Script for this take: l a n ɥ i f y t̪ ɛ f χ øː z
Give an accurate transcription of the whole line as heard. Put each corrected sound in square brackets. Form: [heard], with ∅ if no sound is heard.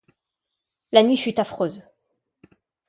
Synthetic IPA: l a n ɥ i f y t̪ [a] f χ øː z